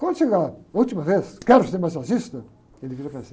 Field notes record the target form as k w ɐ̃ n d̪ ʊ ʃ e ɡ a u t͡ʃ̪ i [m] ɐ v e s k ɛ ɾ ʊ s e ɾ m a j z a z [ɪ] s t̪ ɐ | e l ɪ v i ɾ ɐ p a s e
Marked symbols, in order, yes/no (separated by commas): yes, no